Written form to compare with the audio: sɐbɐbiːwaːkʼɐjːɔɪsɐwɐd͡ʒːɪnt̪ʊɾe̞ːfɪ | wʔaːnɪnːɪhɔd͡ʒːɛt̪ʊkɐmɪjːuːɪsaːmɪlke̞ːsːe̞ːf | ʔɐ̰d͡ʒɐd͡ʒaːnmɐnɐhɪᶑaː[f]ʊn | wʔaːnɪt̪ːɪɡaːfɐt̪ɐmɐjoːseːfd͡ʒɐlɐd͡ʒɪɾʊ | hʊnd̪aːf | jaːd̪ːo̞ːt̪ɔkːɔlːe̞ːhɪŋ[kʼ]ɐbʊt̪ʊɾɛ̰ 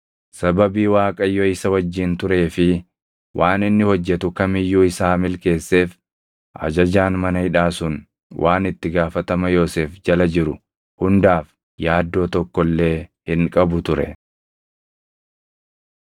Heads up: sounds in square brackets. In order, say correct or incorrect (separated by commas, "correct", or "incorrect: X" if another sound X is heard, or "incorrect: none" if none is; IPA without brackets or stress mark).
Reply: incorrect: s, correct